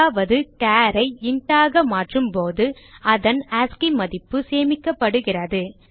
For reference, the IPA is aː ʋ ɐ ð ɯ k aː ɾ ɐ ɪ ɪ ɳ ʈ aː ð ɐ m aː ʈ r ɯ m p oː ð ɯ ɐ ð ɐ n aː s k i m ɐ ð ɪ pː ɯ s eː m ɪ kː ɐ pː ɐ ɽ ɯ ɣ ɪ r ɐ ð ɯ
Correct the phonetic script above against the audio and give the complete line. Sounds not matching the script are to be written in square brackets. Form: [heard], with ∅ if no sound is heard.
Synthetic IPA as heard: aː ʋ ɐ ð ɯ k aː ɾ ɐ ɪ ɪ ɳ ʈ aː [ɣ] ɐ m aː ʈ r ɯ m p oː ð ɯ ɐ ð ɐ n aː s k i m ɐ ð ɪ pː ɯ s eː m ɪ kː ɐ pː ɐ ɽ ɯ ɣ ɪ r ɐ ð ɯ